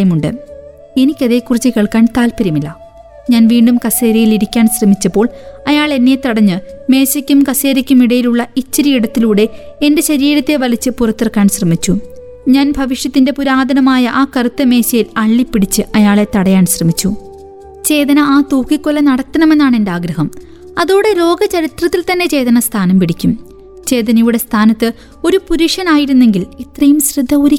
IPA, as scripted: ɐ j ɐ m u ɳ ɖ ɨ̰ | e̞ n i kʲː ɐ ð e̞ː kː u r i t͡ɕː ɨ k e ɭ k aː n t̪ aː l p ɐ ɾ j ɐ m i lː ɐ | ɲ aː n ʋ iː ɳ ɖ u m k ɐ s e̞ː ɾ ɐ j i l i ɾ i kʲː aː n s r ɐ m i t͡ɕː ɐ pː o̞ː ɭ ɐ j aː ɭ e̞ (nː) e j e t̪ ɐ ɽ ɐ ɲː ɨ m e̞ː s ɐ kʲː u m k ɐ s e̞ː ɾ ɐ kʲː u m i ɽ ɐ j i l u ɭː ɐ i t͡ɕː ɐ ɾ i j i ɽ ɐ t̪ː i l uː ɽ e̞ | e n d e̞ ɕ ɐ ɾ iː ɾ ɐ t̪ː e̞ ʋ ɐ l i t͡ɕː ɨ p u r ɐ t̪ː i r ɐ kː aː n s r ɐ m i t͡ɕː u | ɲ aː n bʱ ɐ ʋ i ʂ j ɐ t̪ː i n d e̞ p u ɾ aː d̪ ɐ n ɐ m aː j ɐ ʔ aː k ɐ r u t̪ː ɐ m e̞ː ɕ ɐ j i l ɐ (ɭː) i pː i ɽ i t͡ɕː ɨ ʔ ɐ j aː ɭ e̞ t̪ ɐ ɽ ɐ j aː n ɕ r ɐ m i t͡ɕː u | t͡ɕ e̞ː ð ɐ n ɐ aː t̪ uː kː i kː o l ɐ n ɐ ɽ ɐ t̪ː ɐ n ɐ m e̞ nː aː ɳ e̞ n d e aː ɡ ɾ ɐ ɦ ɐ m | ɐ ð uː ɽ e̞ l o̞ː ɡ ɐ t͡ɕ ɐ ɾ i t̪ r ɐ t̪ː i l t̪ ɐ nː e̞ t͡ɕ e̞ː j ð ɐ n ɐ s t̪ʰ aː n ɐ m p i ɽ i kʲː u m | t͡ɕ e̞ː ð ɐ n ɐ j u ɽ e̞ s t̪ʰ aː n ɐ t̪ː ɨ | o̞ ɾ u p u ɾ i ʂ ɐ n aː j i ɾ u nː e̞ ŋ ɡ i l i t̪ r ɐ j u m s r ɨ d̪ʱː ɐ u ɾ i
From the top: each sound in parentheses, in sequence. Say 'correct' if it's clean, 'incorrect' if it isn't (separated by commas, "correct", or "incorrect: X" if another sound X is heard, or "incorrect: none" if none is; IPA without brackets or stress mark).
correct, correct